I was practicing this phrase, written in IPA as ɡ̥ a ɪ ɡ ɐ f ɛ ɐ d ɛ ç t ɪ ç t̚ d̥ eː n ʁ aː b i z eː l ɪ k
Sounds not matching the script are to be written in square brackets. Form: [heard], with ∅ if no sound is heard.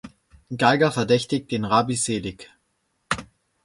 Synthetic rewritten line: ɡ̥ a ɪ ɡ ɐ f ɛ ɐ d ɛ ç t ɪ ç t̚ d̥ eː n ʁ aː b i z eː l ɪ k